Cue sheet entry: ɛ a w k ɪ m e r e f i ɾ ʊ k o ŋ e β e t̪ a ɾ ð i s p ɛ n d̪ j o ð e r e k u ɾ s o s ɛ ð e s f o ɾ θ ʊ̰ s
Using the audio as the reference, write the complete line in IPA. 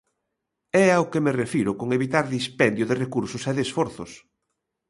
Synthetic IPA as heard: ɛ a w k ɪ m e r e f i ɾ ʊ k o ŋ e β i t̪ a ɾ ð i s p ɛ n d̪ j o ð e r e k u ɾ s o s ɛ ð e s f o ɾ θ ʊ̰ s